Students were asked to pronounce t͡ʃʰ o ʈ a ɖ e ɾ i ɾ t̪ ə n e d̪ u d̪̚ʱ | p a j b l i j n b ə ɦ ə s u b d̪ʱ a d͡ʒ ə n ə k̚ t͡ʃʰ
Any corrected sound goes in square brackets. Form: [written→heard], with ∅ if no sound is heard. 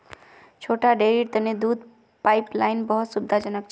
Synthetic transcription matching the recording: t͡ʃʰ o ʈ a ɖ e ɾ i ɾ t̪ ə n e d̪ u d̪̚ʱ | p a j [b→p] l [i→a] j n b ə ɦ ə s u b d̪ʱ a d͡ʒ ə n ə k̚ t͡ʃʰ